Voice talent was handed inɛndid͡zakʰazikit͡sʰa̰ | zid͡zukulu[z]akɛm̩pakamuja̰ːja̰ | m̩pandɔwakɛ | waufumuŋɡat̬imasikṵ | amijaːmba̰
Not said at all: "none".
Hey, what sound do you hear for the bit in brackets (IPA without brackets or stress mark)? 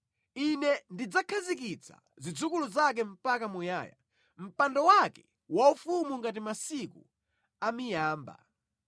z